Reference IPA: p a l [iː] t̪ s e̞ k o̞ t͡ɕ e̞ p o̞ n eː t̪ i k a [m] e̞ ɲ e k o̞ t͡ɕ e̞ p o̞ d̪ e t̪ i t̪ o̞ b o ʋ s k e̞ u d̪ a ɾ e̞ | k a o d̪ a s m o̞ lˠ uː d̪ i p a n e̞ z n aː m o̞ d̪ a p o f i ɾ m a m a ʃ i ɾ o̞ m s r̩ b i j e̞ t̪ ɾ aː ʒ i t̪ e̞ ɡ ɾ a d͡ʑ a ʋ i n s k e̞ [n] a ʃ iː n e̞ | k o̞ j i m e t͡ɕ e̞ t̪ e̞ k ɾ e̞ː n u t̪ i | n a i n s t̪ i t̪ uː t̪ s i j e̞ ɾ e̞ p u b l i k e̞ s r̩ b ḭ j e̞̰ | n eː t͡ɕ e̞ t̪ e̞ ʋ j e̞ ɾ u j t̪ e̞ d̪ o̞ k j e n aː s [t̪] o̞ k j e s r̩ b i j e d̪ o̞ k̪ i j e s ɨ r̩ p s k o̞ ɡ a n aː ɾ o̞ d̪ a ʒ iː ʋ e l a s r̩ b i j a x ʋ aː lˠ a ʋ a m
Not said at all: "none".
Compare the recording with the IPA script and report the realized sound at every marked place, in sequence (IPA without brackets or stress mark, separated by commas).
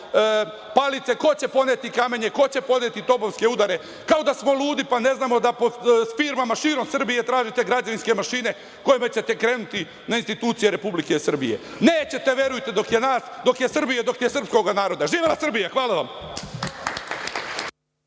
i, m, m, d̪